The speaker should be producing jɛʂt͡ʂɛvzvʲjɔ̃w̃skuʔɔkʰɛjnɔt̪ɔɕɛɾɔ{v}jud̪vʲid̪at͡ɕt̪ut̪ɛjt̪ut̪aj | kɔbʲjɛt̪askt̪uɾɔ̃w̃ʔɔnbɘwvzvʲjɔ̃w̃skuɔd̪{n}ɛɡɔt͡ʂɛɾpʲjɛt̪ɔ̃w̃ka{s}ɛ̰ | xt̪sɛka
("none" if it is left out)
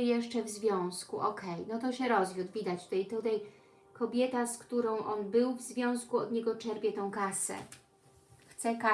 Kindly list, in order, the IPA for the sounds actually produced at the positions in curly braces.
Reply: z, ɲ, s

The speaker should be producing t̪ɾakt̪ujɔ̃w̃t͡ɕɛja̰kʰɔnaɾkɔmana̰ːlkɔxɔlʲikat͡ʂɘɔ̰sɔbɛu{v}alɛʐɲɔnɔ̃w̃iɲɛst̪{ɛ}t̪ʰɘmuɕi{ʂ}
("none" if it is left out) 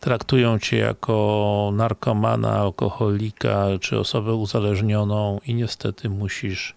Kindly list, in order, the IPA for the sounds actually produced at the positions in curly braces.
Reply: z, ɛ, ʂ

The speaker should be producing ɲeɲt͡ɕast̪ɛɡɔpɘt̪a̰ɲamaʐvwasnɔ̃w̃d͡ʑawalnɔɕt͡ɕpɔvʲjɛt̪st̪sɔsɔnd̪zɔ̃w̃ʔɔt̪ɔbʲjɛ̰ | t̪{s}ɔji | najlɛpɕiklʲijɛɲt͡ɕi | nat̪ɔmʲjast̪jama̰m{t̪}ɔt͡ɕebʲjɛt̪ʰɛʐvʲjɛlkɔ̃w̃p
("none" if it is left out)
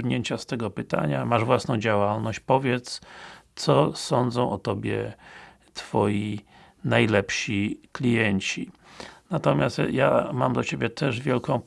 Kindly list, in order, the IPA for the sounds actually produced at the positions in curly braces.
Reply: f, d̪

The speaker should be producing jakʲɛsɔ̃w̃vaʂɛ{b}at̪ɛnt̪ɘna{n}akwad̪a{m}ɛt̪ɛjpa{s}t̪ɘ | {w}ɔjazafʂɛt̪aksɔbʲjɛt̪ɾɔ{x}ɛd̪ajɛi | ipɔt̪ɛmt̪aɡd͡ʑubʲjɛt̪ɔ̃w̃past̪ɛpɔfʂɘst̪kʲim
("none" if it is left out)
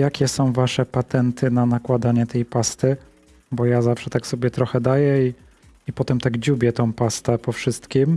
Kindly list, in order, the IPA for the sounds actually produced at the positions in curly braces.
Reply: p, n, ɲ, s, b, x

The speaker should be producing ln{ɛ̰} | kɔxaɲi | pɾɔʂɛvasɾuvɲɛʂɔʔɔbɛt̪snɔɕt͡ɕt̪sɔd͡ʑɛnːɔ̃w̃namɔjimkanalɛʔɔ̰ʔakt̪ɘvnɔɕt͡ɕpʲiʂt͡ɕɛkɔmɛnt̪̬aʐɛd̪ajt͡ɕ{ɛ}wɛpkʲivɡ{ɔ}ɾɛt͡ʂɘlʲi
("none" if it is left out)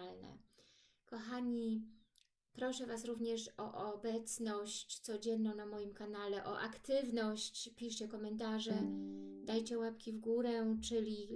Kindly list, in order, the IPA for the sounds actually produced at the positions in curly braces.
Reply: ɛ̰, ɛ, u

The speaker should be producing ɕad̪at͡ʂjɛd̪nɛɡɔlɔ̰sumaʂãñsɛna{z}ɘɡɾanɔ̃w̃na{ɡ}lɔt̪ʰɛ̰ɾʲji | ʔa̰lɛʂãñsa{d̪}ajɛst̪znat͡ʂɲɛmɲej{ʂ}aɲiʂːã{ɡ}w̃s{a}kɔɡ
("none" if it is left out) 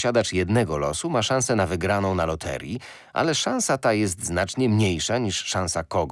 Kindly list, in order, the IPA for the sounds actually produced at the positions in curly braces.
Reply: v, none, t̪, ʂ, none, a

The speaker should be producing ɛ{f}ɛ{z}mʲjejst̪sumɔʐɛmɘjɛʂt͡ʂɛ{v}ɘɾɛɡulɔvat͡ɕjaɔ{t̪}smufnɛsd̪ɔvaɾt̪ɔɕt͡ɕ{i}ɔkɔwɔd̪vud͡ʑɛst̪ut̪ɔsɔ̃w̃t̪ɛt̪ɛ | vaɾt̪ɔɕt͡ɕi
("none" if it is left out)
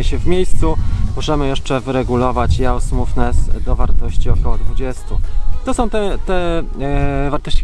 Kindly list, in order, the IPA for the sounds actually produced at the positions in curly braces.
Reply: ɕ, v, v, none, i

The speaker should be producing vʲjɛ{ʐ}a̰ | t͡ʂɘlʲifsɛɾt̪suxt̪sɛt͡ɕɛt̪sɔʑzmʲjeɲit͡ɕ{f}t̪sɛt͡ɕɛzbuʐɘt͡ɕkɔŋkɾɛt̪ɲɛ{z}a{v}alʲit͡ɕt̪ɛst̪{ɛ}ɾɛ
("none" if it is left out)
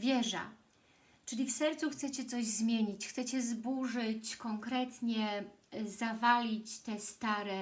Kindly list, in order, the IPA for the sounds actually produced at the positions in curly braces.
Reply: ʐ, x, z, v, a

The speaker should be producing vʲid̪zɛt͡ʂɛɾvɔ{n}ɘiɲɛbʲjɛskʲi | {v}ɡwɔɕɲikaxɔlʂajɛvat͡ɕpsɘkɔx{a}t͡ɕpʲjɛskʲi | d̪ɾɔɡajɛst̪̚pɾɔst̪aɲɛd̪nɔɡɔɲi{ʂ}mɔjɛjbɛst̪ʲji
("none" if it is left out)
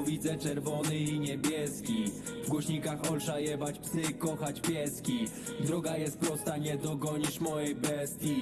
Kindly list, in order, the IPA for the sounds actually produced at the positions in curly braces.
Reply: n, v, a, ʂ

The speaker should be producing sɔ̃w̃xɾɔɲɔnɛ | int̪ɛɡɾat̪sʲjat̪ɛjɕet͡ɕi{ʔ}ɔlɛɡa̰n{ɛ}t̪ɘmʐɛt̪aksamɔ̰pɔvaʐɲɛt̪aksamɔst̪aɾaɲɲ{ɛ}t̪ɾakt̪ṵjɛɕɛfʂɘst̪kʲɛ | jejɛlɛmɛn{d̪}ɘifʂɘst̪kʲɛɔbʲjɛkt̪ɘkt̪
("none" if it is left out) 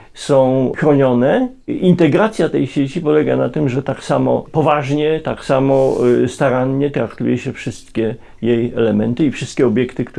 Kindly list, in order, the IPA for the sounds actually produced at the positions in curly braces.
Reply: p, a, ɛ, t̪

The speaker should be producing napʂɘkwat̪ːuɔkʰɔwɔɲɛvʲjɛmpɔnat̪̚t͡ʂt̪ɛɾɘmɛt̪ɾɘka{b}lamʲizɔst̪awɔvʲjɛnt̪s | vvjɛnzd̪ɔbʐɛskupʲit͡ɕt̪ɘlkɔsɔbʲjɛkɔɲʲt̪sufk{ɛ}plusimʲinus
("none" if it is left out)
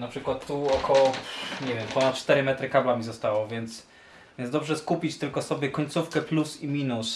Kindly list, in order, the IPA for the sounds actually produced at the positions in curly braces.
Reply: b, ɛ

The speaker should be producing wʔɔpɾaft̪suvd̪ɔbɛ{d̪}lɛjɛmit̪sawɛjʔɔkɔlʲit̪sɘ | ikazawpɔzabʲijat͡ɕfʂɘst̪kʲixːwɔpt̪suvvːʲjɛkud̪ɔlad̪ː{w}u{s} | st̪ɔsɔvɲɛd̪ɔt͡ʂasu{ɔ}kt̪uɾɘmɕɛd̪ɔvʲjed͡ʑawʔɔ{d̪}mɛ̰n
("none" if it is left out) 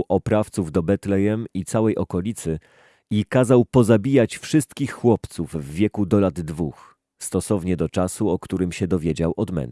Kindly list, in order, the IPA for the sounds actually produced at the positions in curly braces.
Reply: t̪, v, x, ɔ, d̪

